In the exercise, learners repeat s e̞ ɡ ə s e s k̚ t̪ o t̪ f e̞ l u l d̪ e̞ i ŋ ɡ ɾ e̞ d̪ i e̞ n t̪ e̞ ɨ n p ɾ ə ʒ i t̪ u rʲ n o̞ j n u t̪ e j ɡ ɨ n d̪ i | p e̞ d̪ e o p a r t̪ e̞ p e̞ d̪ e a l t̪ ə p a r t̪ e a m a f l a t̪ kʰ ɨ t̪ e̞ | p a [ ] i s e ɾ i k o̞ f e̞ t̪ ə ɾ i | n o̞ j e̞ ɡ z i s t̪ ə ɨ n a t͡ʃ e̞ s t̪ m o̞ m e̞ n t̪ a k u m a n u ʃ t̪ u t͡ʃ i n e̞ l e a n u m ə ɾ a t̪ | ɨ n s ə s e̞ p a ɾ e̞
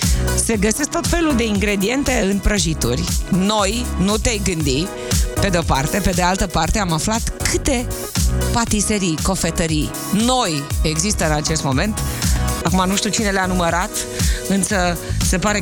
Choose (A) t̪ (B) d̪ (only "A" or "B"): A